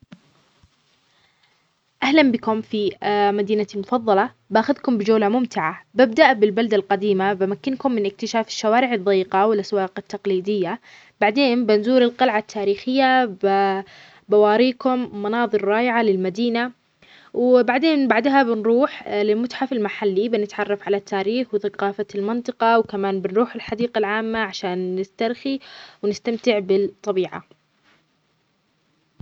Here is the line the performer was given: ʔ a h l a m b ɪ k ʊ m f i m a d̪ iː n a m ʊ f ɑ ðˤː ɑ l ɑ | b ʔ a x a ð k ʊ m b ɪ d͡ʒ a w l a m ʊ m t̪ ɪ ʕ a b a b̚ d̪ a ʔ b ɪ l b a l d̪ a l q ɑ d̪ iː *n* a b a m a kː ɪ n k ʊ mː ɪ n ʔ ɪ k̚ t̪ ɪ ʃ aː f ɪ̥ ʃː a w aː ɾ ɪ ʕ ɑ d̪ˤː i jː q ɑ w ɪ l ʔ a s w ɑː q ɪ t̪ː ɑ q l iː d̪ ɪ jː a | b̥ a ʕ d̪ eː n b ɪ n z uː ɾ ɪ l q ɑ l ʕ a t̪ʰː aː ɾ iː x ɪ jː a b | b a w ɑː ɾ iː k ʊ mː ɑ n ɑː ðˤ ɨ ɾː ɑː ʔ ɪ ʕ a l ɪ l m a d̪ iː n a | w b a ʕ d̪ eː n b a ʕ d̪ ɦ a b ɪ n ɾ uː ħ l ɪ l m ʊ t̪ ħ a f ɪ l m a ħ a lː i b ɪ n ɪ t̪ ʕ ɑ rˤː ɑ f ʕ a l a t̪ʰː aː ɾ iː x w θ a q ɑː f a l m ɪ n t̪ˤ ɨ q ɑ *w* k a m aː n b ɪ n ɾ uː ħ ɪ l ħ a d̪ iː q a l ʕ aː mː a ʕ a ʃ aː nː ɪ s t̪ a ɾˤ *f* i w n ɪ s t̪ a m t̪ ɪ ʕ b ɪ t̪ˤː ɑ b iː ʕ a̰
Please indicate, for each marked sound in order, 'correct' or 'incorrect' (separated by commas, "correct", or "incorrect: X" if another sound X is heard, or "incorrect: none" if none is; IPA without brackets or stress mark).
incorrect: m, correct, incorrect: x